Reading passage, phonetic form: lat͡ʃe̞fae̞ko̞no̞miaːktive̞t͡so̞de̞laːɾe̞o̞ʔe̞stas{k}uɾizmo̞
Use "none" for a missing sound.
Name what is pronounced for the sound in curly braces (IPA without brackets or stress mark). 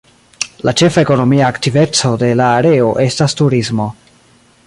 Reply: t